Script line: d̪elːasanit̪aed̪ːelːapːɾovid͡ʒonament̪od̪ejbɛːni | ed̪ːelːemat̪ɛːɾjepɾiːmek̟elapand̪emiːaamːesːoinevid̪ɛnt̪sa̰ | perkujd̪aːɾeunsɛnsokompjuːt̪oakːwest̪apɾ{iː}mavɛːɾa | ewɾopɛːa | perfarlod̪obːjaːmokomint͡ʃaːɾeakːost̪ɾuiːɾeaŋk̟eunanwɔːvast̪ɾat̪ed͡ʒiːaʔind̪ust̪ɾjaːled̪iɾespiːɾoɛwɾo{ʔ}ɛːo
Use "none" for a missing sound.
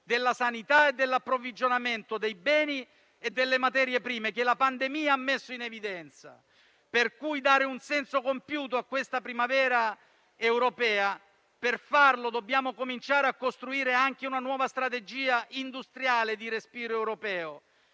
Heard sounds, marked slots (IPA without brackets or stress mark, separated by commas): i, p